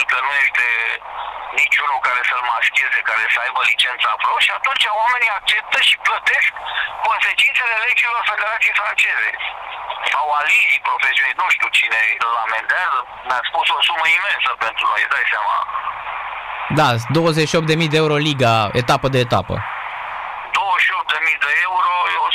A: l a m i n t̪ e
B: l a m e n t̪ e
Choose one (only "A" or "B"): B